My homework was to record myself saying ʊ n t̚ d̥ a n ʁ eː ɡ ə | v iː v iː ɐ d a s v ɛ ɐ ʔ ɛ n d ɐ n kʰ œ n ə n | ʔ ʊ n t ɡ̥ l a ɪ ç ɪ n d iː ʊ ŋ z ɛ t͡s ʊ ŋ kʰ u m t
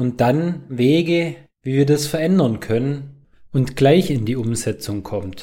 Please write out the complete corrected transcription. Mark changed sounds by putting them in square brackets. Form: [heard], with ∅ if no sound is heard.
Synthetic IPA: ʊ n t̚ d̥ a n [v] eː ɡ ə | v iː v iː ɐ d a s [f] ɛ ɐ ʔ ɛ n d ɐ n kʰ œ n ə n | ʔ ʊ n t ɡ̥ l a ɪ ç ɪ n d iː ʊ [m] z ɛ t͡s ʊ ŋ kʰ [ɔ] m t